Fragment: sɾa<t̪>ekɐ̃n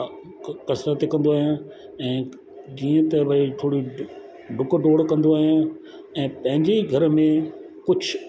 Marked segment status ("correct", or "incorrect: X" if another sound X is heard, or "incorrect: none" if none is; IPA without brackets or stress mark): correct